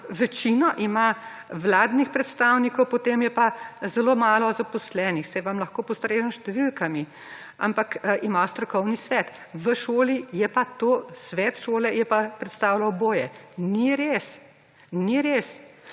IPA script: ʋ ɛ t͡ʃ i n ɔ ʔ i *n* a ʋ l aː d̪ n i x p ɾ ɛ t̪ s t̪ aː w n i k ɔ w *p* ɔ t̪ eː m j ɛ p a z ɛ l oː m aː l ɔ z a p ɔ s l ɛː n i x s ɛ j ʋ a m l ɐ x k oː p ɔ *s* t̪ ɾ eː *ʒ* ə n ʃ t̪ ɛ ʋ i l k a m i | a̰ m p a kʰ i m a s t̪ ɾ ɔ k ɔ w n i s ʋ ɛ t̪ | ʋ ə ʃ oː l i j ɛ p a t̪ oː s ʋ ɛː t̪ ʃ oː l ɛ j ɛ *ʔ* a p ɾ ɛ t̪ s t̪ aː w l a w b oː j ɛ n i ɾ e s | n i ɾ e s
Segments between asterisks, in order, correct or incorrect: incorrect, correct, correct, correct, incorrect

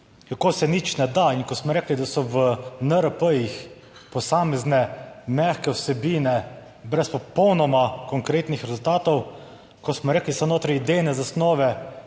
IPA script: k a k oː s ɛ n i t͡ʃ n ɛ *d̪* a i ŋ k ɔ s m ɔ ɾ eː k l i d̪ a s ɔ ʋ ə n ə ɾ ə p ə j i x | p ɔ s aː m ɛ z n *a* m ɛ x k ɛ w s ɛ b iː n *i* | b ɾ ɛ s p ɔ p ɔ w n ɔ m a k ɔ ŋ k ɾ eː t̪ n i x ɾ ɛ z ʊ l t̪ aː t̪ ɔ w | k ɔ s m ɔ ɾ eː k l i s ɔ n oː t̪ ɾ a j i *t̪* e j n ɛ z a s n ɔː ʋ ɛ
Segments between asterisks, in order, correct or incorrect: correct, incorrect, incorrect, incorrect

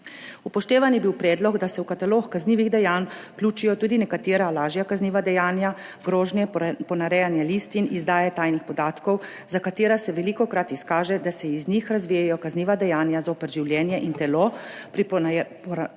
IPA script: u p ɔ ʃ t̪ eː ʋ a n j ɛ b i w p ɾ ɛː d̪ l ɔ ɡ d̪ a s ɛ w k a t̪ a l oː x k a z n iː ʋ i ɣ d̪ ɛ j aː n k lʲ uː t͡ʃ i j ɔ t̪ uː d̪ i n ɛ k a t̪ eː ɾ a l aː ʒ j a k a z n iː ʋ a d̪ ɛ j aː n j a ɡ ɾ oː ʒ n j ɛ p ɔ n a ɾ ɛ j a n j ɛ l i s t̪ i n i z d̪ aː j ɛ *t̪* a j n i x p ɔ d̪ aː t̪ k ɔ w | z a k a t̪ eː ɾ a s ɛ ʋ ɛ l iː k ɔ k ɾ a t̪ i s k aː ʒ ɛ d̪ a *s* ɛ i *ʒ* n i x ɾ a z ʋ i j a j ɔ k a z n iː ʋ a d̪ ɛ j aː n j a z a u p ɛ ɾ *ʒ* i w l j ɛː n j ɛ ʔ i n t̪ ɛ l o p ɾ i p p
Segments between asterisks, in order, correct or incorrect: correct, correct, incorrect, correct

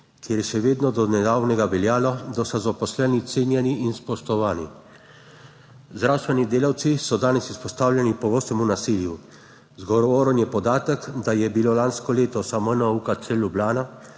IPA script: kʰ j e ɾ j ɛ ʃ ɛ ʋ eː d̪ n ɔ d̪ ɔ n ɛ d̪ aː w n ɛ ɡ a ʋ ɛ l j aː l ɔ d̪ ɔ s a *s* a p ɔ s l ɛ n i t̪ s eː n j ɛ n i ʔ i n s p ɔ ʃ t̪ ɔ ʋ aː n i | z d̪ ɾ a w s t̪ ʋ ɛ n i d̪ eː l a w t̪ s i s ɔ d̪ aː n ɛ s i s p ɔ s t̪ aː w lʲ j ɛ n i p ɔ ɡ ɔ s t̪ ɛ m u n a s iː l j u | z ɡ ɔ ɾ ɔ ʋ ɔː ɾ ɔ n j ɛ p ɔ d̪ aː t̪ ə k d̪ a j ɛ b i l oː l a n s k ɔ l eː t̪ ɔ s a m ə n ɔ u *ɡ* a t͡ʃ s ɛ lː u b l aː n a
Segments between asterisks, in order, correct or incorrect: incorrect, incorrect

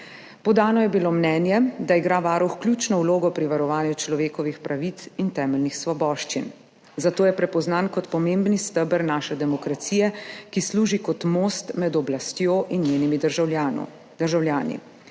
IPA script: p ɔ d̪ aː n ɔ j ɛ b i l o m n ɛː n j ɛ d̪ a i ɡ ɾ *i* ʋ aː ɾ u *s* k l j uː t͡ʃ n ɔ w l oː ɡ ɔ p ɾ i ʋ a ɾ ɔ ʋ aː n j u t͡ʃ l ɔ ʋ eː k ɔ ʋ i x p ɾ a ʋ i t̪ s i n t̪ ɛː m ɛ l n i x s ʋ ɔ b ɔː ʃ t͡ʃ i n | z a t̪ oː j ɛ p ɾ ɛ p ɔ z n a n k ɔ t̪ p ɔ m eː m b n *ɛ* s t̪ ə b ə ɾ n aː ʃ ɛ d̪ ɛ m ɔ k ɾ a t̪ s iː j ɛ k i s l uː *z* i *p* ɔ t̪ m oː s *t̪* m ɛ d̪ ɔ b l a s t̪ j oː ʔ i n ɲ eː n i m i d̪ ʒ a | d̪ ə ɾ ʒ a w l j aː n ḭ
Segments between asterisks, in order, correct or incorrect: incorrect, incorrect, incorrect, incorrect, incorrect, correct

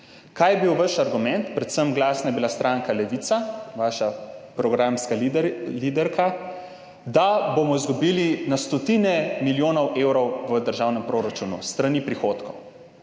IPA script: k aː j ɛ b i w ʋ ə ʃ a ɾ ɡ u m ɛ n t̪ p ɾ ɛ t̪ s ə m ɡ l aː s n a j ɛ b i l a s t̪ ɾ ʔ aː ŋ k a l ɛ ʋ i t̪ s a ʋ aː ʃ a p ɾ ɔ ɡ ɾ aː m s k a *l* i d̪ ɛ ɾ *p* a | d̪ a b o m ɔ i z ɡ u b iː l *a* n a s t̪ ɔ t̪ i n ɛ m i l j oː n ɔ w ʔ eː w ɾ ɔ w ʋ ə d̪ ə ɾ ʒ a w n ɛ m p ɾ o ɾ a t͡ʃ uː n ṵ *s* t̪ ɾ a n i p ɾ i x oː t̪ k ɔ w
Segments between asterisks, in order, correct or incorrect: correct, incorrect, incorrect, correct

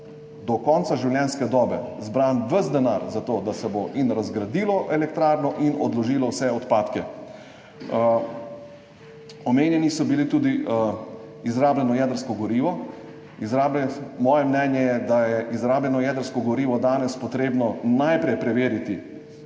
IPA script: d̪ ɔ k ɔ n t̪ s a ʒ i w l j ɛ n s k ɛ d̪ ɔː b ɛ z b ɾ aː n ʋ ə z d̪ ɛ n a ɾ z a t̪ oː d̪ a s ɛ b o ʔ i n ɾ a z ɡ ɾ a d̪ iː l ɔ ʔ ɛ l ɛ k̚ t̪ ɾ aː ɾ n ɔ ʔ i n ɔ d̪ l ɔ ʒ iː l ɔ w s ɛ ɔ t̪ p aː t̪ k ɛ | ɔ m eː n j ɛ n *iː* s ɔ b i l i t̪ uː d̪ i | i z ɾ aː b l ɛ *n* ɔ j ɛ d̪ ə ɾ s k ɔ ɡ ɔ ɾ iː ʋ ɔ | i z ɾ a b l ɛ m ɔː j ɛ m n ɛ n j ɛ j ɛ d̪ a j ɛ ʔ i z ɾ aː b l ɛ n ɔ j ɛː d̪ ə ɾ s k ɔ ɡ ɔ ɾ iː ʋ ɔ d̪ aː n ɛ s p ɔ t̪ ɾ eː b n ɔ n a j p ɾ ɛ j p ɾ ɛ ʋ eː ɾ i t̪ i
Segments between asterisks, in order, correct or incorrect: incorrect, correct

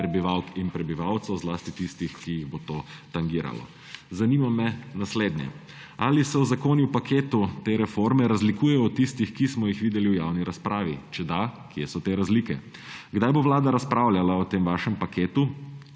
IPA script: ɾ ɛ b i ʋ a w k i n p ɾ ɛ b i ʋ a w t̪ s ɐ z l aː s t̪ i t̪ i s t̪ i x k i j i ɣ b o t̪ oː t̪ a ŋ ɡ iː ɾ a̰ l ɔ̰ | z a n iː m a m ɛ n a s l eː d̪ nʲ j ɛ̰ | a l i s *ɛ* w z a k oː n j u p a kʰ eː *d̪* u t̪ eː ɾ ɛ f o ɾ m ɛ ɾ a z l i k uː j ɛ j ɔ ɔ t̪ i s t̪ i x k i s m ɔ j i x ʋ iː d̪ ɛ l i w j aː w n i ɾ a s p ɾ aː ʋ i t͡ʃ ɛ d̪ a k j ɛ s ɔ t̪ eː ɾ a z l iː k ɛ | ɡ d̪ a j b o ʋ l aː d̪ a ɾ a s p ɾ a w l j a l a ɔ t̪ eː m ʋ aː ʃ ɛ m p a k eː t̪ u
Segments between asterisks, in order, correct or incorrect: correct, incorrect

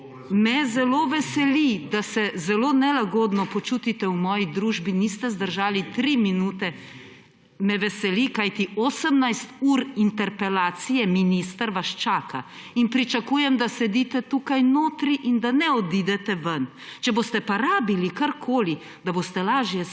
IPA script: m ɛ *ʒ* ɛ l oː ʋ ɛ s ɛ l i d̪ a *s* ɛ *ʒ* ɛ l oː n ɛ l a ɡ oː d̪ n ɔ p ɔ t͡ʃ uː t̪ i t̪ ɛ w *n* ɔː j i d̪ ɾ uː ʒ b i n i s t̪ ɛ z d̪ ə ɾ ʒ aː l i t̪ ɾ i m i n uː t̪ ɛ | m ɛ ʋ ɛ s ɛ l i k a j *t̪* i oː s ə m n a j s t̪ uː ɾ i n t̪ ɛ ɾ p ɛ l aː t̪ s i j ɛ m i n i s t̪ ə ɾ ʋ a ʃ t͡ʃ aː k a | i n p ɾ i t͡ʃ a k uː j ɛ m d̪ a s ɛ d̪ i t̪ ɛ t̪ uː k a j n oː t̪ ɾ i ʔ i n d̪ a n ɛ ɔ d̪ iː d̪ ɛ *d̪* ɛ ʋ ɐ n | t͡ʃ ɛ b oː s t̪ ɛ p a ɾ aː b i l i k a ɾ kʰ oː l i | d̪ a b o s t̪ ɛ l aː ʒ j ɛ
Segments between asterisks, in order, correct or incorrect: incorrect, correct, incorrect, incorrect, correct, incorrect

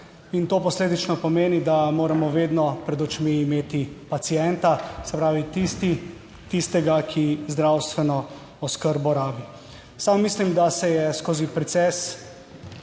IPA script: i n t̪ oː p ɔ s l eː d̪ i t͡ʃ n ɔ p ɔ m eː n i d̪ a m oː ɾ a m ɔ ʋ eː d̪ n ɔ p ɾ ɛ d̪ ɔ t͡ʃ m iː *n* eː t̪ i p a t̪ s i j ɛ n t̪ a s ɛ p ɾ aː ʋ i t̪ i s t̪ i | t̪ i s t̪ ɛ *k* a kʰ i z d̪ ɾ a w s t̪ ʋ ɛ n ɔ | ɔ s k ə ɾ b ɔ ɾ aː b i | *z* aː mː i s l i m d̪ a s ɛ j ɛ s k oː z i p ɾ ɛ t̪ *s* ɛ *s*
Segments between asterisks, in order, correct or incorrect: incorrect, incorrect, incorrect, correct, correct

